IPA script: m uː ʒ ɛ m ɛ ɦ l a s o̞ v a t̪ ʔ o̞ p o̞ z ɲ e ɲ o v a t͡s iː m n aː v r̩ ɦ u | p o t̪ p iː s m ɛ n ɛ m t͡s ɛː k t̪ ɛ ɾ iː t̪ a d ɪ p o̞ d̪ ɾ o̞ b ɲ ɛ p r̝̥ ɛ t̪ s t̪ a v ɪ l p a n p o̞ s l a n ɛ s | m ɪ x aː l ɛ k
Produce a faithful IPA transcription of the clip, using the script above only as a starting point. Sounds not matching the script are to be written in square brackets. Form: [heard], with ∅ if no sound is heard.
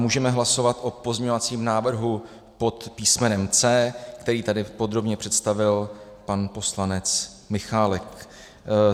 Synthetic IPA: m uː ʒ ɛ m ɛ ɦ l a s o̞ v a t̪ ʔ o̞ p o̞ z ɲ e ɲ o v a t͡s iː m n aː v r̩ ɦ u | p o t̪ p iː s m ɛ n ɛ m t͡s ɛː k t̪ ɛ ɾ iː t̪ a d ɪ p o̞ d̪ ɾ o̞ b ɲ ɛ p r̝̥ ɛ t̪ s t̪ a v ɪ l p a n p o̞ s l a n ɛ [t͡s] | m ɪ x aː l ɛ k